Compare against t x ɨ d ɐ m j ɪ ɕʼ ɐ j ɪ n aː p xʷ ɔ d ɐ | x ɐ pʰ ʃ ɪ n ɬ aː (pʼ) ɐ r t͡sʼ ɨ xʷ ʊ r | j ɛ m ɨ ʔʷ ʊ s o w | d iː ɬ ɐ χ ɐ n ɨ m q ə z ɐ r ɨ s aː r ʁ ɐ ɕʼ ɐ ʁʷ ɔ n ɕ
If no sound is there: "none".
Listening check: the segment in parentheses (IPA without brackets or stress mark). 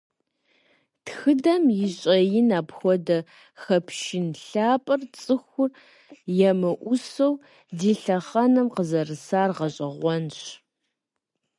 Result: pʼ